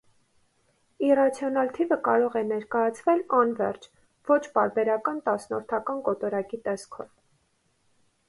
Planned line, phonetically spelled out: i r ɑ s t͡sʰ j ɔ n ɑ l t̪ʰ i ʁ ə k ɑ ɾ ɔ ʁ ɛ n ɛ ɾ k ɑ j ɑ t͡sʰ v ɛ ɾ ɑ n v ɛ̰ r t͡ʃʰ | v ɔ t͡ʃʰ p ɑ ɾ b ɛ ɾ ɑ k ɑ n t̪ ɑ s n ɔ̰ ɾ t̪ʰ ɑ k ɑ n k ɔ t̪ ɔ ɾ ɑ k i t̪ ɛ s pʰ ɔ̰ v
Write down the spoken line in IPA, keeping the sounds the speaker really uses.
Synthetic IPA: i r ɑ t͡sʰ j ɔ n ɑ l t̪ʰ i v ə k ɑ ɾ ɔ ʁ ɛ n ɛ ɾ k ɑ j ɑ t͡sʰ v ɛ l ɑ n v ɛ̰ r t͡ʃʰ | v ɔ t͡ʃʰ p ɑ ɾ b ɛ ɾ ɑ k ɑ n t̪ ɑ s n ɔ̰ ɾ t̪ʰ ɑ k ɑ n k ɔ t̪ ɔ ɾ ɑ k i t̪ ɛ s kʰ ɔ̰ v